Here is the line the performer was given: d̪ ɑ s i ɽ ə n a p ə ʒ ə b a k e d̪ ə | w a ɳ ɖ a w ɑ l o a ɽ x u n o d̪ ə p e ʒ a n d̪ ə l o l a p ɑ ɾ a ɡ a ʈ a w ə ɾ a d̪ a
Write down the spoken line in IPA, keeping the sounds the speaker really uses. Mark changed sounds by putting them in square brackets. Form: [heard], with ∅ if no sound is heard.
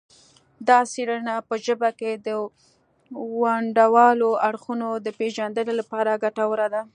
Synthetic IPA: d̪ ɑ s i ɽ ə n a p ə ʒ ə b a k e d̪ ə | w a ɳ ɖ a w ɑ l o a ɽ x u n o d̪ ə p e ʒ a n d̪ ə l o l a p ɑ ɾ a ɡ a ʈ a w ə ɾ a d̪ a